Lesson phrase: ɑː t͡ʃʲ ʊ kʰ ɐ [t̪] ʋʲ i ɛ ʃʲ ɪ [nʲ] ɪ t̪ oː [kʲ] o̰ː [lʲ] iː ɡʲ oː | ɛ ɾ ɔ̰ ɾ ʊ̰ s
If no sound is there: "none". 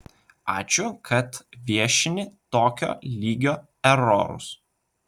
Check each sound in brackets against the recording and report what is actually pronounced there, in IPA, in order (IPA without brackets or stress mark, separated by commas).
t̪, nʲ, kʲ, lʲ